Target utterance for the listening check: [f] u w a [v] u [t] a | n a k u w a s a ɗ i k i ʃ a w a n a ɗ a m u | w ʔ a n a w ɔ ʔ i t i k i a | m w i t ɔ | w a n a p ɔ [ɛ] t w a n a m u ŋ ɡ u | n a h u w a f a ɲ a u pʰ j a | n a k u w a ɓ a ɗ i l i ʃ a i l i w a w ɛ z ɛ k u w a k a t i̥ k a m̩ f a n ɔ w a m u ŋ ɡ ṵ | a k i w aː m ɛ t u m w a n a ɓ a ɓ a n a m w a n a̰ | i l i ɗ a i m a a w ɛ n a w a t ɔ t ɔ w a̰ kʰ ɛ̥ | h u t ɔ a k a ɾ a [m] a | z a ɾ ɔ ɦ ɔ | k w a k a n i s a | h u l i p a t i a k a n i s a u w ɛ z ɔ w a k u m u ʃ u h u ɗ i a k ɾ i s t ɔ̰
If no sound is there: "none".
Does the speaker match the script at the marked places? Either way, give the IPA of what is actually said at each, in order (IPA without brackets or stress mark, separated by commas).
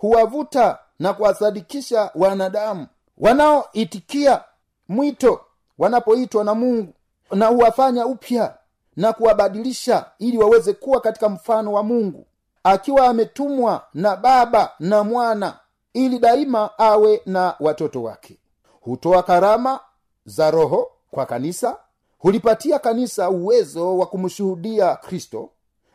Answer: h, v, t, i, m